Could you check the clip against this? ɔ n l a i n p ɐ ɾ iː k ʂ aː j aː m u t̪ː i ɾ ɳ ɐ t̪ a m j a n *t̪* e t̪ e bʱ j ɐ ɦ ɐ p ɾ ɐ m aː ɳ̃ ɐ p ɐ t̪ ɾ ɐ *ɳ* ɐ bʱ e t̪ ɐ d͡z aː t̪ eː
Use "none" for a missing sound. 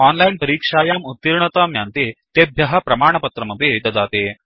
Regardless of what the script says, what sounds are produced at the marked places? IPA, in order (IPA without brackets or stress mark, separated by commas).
t̪, m